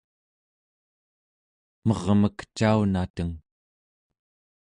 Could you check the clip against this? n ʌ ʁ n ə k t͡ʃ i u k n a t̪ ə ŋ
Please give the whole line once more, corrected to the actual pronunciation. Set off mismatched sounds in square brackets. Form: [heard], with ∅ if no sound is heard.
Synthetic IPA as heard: [m] ʌ ʁ [m] ə k t͡ʃ [a] u [∅] n a t̪ ə ŋ